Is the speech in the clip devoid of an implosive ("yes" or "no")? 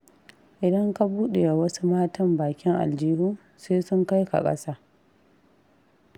no